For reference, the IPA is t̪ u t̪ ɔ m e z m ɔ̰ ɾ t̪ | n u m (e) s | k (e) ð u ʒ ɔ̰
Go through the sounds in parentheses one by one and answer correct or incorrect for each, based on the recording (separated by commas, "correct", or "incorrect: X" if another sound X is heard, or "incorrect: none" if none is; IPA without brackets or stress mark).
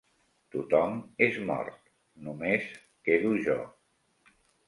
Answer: correct, correct